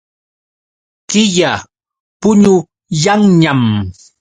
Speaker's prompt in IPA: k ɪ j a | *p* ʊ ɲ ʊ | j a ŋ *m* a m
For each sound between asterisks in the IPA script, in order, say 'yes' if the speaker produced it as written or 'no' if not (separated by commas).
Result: yes, no